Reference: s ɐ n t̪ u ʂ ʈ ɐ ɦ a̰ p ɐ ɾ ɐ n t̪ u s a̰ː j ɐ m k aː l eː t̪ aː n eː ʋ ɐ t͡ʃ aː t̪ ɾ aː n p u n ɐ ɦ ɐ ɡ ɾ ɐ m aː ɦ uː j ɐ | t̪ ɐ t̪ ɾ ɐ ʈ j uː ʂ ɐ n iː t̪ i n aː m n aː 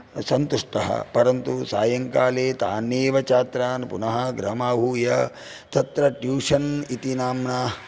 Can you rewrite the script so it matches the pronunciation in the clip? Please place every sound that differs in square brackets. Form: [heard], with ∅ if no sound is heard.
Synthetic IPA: s ɐ n t̪ u ʂ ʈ ɐ ɦ [ɐ̰] p ɐ ɾ ɐ n t̪ u s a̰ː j ɐ [ŋ] k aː l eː t̪ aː n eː ʋ ɐ t͡ʃ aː t̪ ɾ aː n p u n ɐ ɦ ɐ ɡ ɾ ɐ m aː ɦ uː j ɐ | t̪ ɐ t̪ ɾ ɐ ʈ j uː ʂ ɐ n [i] t̪ i n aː m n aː

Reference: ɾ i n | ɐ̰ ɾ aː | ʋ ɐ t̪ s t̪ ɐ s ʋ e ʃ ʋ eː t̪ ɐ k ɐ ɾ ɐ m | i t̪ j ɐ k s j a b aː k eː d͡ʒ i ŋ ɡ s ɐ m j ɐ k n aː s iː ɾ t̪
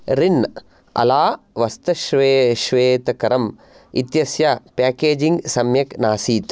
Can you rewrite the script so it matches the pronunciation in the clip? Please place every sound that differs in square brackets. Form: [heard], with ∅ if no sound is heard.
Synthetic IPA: ɾ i n | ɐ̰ [l] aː | ʋ ɐ [∅] s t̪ ɐ [ʃ] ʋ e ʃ ʋ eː t̪ ɐ k ɐ ɾ ɐ m | i t̪ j ɐ [∅] s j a [p] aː k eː d͡ʒ i ŋ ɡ s ɐ m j ɐ k n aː s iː [∅] t̪

